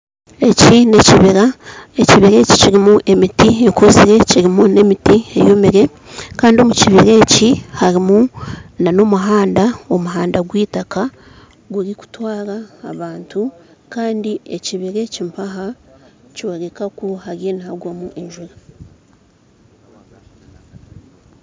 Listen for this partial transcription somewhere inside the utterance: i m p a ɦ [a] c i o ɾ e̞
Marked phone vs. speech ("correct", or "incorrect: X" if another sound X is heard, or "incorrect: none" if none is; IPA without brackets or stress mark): correct